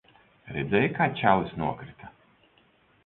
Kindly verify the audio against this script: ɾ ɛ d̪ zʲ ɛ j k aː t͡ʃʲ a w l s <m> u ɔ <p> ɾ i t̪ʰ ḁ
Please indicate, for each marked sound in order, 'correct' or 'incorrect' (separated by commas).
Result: incorrect, incorrect